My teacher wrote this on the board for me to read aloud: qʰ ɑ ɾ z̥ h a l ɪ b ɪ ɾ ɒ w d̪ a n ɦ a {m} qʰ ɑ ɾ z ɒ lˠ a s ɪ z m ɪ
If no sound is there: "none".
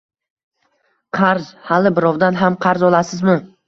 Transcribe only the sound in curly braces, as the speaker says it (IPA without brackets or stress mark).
m